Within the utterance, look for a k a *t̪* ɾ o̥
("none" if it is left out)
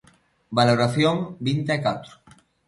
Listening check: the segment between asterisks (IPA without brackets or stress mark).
t̪